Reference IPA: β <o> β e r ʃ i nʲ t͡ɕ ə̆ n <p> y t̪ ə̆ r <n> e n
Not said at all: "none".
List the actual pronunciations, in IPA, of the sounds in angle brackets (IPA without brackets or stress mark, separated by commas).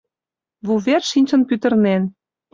u, p, n